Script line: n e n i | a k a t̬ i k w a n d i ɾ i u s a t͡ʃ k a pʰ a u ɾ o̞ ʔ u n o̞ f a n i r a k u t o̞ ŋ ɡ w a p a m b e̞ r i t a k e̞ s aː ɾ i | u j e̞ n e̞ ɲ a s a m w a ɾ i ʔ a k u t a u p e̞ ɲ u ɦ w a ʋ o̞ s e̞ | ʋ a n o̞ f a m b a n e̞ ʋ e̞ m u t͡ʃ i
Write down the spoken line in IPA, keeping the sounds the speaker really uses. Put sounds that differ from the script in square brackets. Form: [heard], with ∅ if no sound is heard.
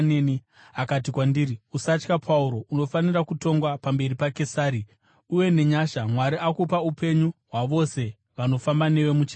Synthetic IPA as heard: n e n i | a k a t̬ i k w a n d i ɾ i u s a t͡ʃ k a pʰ a u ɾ o̞ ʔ u n o̞ f a n i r a k u t o̞ ŋ ɡ w a p a m b e̞ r i [p] a k e̞ s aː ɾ i | u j e̞ n e̞ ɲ a [ʃ] a m w a ɾ i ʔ a k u [p] a u p e̞ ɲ u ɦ w a ʋ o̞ s e̞ | ʋ a n o̞ f a m b a n e̞ ʋ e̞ m u t͡ʃ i

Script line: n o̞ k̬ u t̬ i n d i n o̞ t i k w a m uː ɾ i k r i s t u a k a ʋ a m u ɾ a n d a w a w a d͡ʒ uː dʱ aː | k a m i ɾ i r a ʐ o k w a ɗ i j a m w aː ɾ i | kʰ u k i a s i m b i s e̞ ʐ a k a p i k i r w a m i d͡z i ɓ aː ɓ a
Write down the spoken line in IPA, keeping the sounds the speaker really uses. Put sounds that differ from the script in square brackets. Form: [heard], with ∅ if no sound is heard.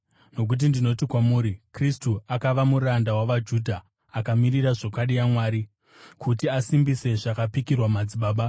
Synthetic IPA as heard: n o̞ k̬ u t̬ i n d i n o̞ t i k w a m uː ɾ i k r i s t u a k a ʋ a m u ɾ a n d a w a [ʋ] a d͡ʒ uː dʱ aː | k a m i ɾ i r a ʐ o k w a ɗ i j a m w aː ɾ i | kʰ u [t] i a s i m b i s e̞ ʐ a k a p i k i r w a m [a] d͡z i ɓ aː ɓ a

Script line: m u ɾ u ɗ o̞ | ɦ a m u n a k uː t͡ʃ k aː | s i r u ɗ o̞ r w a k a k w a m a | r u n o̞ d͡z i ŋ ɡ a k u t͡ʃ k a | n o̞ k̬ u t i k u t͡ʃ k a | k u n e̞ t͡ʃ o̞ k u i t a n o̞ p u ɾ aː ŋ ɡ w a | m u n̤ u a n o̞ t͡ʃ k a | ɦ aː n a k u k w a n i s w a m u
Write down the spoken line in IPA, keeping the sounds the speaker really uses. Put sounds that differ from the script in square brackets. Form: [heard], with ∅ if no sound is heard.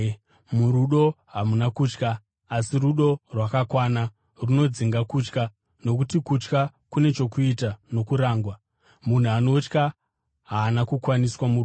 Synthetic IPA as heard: m u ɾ u ɗ o̞ | ɦ a m u n a k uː t͡ʃ k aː | s i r u ɗ o̞ r w a k a k w a [n] a | r u n o̞ d͡z i ŋ ɡ a k u t͡ʃ k a | n o̞ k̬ u t i k u t͡ʃ k a | k u n e̞ t͡ʃ o̞ k u i t a n o̞ [k] u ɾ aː ŋ ɡ w a | m u n̤ u a n o̞ t͡ʃ k a | ɦ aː n a k u k w a n i s w a m u

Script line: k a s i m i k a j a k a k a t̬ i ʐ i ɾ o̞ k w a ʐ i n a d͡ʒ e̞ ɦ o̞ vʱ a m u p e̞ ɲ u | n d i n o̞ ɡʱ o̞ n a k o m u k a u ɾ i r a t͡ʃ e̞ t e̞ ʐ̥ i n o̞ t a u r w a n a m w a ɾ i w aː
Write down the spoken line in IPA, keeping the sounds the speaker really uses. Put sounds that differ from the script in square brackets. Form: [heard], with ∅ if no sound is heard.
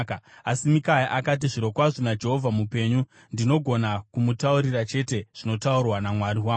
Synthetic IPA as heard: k a s i m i k a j a [ʔ] a k a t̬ i ʐ i ɾ o̞ k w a ʐ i n a d͡ʒ e̞ ɦ o̞ vʱ a m u p e̞ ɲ u | n d i n o̞ ɡʱ o̞ n a k [u] m u [t] a u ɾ i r a t͡ʃ e̞ t e̞ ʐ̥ i n o̞ t a u r w a n a m w a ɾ i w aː

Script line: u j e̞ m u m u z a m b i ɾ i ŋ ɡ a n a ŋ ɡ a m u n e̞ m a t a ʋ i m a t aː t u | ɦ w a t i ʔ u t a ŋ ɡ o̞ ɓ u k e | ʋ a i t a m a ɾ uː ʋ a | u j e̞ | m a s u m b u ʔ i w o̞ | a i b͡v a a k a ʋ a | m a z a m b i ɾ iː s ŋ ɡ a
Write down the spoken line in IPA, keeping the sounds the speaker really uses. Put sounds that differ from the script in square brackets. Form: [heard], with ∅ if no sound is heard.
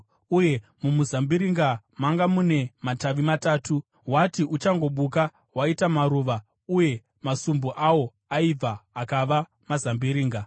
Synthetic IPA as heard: u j e̞ m u m u z a m b i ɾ i ŋ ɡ a [m] a ŋ ɡ a m u n e̞ m a t a ʋ i m a t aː t u | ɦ w a t i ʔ u [t͡ʃ] a ŋ ɡ o̞ ɓ u k [a] | [w] a i t a m a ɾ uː ʋ a | u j e̞ | m a s u m b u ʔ [a] w o̞ | a i b͡v a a k a ʋ a | m a z a m b i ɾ iː [∅] ŋ ɡ a

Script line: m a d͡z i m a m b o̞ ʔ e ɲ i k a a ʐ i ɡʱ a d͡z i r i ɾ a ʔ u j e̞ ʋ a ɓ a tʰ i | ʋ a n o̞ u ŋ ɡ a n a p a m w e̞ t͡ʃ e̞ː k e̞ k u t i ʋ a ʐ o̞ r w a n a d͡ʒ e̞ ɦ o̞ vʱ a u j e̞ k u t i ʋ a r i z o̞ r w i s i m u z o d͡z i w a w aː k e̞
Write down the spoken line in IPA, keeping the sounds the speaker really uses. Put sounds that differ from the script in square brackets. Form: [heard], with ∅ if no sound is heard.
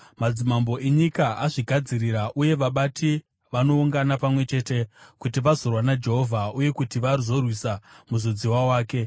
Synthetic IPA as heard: m a d͡z i m a m b o̞ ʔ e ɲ i k a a ʐ i ɡʱ a d͡z i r i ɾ a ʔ u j e̞ ʋ a ɓ a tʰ i | ʋ a n o̞ u ŋ ɡ a n a p a m w e̞ t͡ʃ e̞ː [t] e̞ k u t i ʋ a [z] o̞ r w a n a d͡ʒ e̞ ɦ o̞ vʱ a u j e̞ k u t i ʋ a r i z o̞ r w i s [a] m u z o d͡z i w a w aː k e̞

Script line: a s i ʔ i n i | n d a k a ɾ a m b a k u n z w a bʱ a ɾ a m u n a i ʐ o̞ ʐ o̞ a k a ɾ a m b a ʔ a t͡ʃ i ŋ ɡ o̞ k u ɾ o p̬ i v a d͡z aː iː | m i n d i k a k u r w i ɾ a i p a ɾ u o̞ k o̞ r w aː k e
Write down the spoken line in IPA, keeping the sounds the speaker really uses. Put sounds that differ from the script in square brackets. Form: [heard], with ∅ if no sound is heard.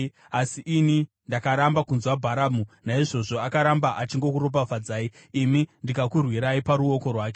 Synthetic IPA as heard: a s i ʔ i n i | n d a k a ɾ a m b a k u n z w a bʱ a ɾ a m u n a i ʐ o̞ ʐ o̞ a k a ɾ a m b a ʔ a t͡ʃ i ŋ ɡ o̞ k u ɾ o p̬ [a] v a d͡z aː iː | m i n d i k a k u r w i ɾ a i p a ɾ u o̞ k o̞ r w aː k e

